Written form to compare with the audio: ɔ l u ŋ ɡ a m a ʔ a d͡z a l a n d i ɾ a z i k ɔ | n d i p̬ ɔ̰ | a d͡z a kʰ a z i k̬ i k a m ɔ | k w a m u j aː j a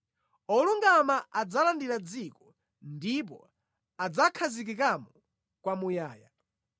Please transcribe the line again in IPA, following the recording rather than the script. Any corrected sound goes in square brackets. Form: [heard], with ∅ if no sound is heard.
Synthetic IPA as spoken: ɔ l u ŋ ɡ a m a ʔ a d͡z a l a n d i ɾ a [d͡z] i k ɔ | n d i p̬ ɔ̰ | a d͡z a kʰ a z i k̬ i k a m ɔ | k w a m u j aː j a